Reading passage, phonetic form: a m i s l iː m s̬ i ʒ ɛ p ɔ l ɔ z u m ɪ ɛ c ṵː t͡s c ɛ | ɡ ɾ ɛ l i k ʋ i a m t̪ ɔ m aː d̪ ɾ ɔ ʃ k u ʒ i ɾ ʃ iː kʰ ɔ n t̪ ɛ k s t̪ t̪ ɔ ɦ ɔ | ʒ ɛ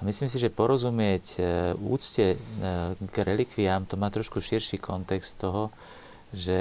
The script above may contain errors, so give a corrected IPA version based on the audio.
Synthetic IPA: a m i s l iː m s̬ i ʒ ɛ p ɔ ɾ ɔ z u m ɪ ɛ c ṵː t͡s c ɛ | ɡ ɾ ɛ l i k ʋ i a m t̪ ɔ m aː t̪ ɾ ɔ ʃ k u ʃ i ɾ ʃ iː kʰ ɔ n t̪ ɛ k s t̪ t̪ ɔ ɦ ɔ | ʒ ɛ